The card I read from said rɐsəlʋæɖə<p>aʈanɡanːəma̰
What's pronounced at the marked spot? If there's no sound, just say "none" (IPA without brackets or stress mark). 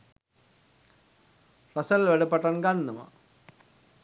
p